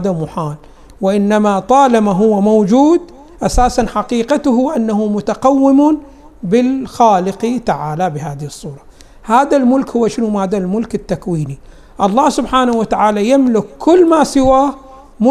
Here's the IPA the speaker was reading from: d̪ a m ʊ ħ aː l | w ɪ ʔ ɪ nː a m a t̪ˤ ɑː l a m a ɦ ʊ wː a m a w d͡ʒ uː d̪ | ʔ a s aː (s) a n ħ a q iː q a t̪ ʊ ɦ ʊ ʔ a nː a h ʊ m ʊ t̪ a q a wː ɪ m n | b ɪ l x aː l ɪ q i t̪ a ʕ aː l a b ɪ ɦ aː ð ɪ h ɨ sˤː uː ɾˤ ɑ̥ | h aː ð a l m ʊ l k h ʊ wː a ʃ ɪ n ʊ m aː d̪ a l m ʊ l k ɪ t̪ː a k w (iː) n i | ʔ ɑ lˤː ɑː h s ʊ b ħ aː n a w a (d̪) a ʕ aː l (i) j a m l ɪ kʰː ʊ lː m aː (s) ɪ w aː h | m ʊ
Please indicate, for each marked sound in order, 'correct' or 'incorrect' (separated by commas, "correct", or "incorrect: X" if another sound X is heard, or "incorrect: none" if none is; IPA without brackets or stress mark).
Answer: correct, correct, incorrect: t̪, incorrect: a, correct